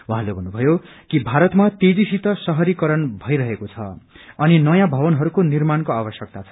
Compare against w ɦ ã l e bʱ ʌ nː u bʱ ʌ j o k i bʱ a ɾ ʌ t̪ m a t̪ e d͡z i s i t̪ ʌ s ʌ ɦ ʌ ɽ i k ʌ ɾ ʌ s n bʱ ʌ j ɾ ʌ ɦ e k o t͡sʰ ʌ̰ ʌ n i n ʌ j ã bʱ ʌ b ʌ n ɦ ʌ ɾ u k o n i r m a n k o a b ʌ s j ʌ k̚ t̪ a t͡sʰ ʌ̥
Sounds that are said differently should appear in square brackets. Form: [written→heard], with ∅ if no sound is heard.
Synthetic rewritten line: w ɦ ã l e bʱ ʌ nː u bʱ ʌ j o k i bʱ a ɾ ʌ t̪ m a t̪ e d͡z i s i t̪ ʌ s ʌ ɦ ʌ [ɽ→ɾ] i k ʌ ɾ ʌ [s→∅] n bʱ ʌ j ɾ ʌ ɦ e k o t͡sʰ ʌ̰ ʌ n i n ʌ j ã bʱ ʌ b ʌ n ɦ ʌ ɾ u k o n i r m a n k o a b ʌ s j ʌ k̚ t̪ a t͡sʰ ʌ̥